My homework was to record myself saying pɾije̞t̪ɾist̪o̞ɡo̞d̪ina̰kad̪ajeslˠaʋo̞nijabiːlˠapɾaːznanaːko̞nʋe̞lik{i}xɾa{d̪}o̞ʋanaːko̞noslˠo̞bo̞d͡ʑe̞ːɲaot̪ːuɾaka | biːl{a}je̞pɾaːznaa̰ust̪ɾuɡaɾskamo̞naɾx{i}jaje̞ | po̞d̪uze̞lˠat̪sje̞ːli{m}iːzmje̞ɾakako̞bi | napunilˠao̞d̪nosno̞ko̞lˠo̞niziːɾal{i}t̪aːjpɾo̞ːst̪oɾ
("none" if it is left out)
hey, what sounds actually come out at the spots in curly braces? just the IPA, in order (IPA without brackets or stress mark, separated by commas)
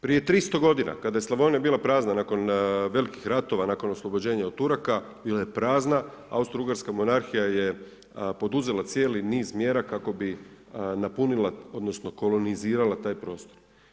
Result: i, t̪, a, i, n, a